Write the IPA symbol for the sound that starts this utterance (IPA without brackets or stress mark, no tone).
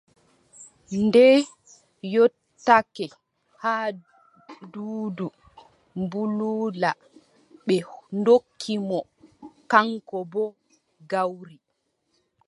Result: n